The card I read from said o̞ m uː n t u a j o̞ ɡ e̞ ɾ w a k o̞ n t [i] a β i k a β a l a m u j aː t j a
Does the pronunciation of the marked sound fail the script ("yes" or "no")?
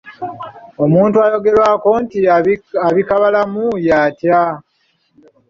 no